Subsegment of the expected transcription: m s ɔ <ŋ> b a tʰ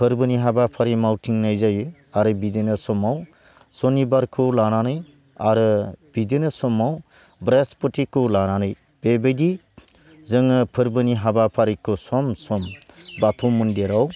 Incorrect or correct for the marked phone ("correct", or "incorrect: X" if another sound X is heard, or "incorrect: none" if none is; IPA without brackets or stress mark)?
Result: incorrect: m